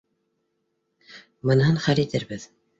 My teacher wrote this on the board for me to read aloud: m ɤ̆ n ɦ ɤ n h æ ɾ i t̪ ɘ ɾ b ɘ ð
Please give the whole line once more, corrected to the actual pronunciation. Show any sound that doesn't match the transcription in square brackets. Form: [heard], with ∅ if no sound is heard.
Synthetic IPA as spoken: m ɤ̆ n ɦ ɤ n [χ] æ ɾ i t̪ ɘ ɾ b ɘ ð